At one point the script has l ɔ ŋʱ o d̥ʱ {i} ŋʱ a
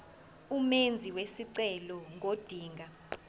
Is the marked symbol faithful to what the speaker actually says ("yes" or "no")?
no